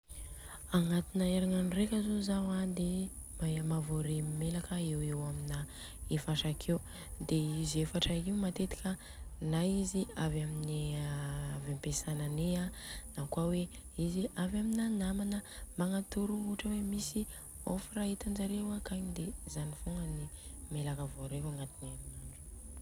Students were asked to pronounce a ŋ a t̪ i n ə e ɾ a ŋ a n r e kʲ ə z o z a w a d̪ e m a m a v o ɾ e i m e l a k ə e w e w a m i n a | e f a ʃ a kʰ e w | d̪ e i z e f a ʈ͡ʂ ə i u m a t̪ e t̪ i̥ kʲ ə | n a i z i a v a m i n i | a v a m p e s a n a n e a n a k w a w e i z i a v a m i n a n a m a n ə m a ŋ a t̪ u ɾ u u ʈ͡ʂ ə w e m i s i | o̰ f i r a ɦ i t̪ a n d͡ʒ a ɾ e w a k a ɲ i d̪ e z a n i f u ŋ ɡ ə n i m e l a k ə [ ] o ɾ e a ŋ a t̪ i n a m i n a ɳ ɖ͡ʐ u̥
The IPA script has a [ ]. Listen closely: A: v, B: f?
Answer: A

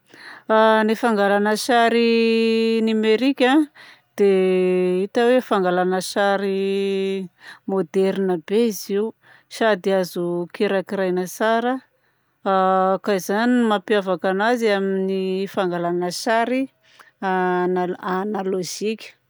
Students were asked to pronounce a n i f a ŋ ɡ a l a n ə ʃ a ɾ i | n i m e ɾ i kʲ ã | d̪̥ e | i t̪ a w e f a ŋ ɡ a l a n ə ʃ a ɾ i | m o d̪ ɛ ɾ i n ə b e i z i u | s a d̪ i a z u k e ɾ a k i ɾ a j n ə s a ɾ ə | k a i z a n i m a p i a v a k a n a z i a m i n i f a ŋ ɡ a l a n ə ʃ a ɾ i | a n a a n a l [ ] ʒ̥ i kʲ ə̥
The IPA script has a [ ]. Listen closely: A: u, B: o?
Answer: B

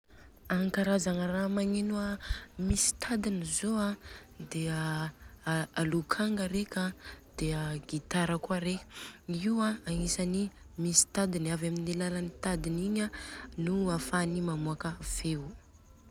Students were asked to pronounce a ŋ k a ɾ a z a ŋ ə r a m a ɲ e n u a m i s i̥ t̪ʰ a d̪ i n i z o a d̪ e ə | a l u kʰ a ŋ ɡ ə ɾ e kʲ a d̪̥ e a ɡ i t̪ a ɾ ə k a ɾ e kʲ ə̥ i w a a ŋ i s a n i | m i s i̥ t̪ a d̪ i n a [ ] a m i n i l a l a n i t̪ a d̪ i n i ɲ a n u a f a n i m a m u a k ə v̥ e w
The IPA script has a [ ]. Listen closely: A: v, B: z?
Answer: A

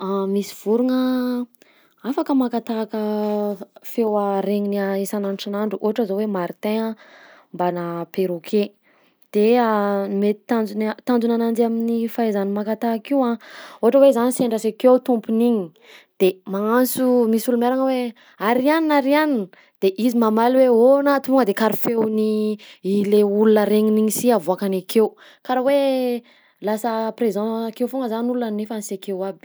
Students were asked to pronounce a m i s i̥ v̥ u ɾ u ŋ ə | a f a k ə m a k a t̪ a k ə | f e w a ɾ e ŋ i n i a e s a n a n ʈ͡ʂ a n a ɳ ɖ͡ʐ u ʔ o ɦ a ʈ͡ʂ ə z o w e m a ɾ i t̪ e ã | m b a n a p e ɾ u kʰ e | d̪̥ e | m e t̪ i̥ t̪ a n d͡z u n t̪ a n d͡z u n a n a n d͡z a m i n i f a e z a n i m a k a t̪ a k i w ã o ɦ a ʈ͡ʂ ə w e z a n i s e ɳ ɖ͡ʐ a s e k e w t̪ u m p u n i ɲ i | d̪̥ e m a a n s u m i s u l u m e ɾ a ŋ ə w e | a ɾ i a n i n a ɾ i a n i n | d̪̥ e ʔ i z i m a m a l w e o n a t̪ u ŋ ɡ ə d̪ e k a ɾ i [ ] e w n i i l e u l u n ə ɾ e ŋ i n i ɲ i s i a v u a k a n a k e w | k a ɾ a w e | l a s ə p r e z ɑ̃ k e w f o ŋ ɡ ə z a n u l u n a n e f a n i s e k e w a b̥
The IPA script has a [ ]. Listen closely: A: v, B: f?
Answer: B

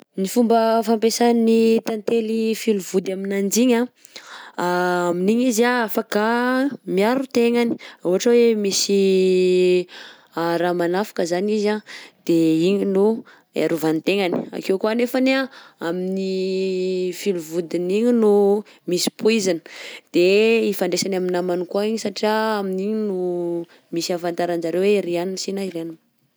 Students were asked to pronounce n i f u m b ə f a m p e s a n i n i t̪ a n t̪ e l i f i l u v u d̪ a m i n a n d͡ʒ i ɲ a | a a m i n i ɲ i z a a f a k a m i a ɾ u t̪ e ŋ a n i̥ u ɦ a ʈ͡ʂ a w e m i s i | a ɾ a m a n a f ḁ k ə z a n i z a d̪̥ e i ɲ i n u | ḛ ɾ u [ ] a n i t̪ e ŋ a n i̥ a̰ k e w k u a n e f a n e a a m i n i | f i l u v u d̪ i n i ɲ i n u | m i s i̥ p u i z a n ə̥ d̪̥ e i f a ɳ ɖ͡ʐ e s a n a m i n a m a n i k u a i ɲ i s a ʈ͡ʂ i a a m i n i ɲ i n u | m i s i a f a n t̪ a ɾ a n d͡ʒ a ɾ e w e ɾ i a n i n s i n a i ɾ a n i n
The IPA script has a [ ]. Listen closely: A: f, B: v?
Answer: B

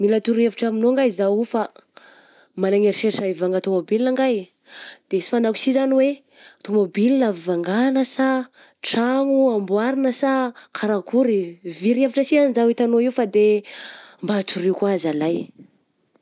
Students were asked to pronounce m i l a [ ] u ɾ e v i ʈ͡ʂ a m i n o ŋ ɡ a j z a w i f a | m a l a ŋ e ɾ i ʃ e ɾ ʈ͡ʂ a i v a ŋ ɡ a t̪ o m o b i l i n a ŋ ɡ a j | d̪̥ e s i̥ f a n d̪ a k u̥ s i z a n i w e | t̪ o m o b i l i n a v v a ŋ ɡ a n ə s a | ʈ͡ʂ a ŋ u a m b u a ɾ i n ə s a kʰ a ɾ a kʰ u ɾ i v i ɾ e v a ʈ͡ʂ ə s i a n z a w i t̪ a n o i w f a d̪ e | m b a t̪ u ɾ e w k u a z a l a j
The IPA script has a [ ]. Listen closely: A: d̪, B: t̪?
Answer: B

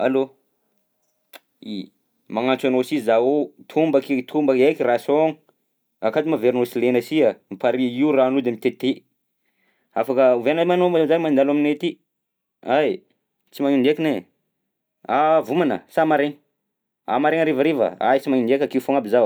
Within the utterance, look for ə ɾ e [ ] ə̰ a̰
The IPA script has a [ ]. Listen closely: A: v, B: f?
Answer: A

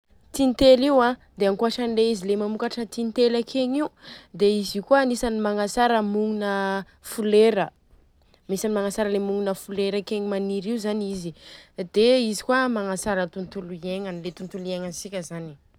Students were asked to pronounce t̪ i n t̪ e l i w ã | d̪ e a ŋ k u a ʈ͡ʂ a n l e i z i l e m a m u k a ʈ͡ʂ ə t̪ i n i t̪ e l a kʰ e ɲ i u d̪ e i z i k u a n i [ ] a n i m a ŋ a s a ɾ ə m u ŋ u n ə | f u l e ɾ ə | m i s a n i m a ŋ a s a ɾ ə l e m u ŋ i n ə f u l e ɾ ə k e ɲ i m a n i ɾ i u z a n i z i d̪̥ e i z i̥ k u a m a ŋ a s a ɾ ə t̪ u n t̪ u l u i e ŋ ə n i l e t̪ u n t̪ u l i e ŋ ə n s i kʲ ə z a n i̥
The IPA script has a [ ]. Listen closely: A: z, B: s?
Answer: B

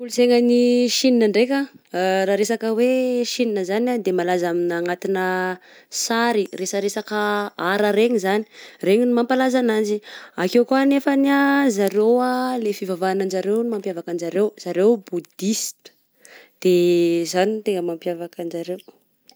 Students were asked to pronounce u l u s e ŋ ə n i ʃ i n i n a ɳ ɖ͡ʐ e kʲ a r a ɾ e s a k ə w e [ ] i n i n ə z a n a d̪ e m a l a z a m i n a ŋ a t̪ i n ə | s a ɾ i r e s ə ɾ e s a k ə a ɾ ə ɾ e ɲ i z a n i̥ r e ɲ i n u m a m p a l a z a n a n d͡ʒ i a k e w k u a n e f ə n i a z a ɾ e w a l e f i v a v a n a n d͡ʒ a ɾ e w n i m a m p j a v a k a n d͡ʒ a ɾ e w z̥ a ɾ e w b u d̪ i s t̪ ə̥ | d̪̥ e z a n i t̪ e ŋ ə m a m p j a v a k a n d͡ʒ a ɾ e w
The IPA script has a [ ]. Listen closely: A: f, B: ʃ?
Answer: B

